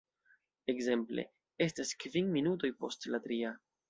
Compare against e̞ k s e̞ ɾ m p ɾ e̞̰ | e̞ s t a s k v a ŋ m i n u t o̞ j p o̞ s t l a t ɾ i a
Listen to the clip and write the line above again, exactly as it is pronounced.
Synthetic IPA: e̞ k z e̞ m p l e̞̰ | e̞ s t a s k v i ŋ m i n u t o̞ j p o̞ s t l a t ɾ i a